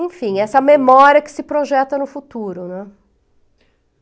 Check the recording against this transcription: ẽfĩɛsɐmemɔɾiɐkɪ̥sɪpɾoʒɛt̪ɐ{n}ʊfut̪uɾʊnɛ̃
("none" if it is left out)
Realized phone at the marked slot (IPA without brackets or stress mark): n